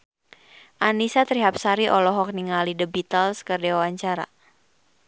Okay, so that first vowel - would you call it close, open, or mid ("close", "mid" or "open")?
open